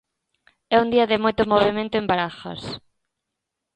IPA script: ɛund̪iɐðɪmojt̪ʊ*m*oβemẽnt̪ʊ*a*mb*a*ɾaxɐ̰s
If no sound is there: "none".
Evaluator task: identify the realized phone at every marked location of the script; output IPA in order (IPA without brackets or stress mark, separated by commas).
m, e, a